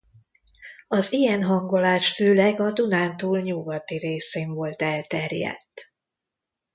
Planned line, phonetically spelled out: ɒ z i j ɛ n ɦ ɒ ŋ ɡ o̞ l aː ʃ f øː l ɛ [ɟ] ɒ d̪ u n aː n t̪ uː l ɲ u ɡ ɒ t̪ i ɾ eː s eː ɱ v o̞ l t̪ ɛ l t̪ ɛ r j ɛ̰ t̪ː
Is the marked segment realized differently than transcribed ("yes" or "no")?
yes